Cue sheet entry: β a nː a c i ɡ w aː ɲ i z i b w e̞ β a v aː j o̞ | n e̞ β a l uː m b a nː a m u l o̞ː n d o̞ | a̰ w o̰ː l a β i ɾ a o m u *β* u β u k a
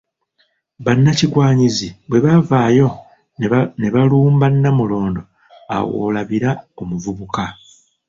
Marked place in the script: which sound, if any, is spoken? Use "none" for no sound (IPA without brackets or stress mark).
v